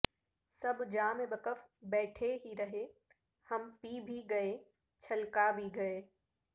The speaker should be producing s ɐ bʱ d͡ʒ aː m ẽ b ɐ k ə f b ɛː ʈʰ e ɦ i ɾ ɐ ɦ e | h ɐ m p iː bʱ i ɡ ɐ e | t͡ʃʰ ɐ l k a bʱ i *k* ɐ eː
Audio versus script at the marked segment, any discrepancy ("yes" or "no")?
yes